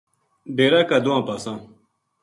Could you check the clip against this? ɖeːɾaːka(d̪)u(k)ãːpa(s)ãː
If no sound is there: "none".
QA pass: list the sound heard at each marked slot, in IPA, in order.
d̪, none, s

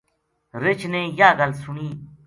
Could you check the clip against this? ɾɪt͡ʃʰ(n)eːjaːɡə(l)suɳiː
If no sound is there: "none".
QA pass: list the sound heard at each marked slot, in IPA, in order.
n, l

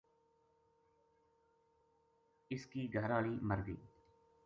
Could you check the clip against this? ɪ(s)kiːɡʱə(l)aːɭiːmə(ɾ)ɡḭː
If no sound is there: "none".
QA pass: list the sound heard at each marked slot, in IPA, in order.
s, ɾ, ɾ

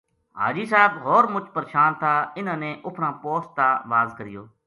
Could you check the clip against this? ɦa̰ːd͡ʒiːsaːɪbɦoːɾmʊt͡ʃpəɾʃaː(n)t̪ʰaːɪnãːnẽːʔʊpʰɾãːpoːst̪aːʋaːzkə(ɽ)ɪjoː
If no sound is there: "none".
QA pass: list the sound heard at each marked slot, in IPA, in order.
n, ɾ

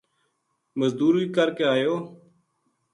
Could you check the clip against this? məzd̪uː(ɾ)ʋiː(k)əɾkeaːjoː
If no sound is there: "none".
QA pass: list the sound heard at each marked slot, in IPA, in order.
ɾ, k

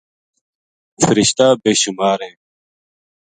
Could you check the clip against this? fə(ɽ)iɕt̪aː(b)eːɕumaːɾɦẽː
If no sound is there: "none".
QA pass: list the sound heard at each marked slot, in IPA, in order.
ɾ, b

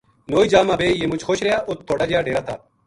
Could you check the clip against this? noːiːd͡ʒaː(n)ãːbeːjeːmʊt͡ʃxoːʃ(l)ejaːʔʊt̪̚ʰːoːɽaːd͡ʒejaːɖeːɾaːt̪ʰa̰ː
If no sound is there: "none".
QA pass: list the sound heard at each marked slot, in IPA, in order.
m, ɾ

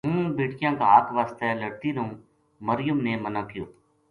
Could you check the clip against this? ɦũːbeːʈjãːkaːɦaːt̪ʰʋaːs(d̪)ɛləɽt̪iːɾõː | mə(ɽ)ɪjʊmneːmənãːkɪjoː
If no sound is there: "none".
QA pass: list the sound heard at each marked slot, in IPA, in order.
t̪, ɾ

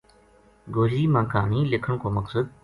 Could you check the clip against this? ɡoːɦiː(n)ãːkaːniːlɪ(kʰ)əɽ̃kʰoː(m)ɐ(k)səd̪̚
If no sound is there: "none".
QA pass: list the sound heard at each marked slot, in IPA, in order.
m, kʰ, m, k

